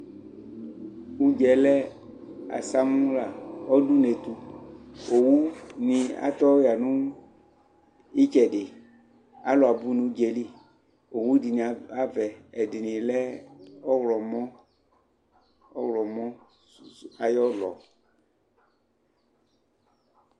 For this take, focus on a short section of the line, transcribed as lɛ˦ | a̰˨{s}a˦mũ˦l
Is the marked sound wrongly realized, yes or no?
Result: no